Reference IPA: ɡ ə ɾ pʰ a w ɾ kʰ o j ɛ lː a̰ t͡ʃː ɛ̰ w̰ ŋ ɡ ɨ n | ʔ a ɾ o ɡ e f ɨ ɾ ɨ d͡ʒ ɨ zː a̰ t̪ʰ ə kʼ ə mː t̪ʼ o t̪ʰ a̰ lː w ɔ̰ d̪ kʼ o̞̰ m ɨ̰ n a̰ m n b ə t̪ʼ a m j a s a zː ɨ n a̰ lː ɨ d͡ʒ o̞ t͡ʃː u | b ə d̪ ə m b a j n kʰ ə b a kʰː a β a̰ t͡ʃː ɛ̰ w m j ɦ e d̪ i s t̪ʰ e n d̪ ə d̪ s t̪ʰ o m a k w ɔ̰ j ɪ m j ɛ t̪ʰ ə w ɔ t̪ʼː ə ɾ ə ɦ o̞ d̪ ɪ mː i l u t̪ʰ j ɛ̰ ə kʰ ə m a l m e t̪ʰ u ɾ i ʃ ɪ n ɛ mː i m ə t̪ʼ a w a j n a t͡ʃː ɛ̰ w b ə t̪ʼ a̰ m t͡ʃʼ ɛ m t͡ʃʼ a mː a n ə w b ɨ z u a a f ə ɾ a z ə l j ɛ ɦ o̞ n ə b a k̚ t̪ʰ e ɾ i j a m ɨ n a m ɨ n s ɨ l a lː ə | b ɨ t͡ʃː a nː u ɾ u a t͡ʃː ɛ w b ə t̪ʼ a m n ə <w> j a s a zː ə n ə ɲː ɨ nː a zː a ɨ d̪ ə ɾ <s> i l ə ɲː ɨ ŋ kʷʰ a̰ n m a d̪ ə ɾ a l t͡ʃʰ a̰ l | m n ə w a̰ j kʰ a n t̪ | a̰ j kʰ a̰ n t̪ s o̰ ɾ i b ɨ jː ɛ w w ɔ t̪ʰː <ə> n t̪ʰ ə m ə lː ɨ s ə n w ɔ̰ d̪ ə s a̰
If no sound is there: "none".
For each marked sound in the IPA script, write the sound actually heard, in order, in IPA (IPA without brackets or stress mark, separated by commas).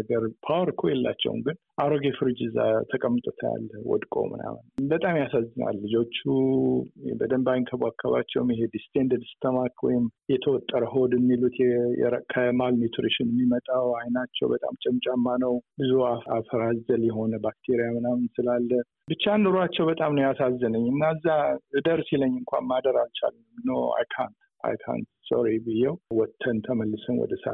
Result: w, s, ə